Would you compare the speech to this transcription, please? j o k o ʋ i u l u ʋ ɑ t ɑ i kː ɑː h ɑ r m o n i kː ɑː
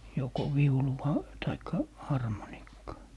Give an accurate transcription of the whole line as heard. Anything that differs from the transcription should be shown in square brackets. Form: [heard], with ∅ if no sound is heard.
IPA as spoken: j o k o ʋ i u l u ʋ ɑ t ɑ i kː [ɑ] h ɑ r m o n i kː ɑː